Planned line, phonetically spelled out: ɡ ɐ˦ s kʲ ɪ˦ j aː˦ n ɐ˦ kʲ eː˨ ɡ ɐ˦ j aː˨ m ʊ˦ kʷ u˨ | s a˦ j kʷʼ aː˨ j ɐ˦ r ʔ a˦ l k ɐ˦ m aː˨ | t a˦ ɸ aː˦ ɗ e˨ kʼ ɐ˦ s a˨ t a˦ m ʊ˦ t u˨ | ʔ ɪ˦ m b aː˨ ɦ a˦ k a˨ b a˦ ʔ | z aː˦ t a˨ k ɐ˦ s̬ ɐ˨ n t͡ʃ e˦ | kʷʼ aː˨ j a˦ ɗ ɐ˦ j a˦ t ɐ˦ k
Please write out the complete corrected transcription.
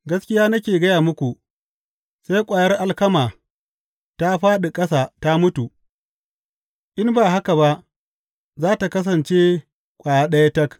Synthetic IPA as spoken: ɡ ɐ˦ s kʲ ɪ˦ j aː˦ n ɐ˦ kʲ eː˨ ɡ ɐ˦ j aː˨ m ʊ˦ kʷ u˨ | s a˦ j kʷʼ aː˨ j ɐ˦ r ʔ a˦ l k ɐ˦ m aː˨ | t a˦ ɸ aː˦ ɗ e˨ kʼ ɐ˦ s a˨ t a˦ m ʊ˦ t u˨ | ʔ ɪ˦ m b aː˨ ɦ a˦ k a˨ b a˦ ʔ | z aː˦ t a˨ k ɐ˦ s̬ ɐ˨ n t͡ʃ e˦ | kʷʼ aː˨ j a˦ ɗ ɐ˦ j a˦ t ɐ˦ k